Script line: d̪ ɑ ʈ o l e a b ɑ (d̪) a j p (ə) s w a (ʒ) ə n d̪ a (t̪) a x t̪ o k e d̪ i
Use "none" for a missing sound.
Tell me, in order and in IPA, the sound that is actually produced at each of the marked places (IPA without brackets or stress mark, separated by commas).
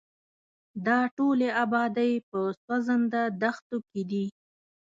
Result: d̪, ə, z, d̪